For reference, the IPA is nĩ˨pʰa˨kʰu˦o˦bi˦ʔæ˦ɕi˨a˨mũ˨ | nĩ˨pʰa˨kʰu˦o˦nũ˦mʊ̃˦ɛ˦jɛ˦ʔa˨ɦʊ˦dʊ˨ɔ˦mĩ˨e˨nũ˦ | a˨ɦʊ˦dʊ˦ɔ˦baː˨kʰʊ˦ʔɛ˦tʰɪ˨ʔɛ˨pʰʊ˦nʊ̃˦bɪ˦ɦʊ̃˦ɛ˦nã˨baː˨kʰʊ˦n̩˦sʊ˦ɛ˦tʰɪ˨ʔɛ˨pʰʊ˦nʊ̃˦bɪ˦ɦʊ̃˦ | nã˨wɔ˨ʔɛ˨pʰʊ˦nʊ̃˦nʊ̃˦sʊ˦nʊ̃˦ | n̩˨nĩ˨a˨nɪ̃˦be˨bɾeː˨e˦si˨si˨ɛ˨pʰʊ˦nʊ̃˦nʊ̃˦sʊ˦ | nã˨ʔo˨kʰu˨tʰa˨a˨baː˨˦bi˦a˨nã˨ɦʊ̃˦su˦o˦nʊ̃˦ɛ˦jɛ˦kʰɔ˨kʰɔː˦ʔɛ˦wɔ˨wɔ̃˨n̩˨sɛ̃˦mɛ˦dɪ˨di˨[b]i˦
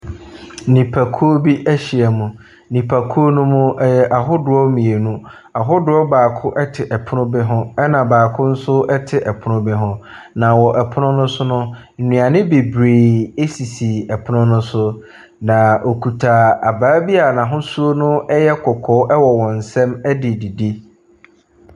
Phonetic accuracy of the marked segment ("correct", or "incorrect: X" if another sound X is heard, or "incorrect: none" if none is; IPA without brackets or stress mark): incorrect: d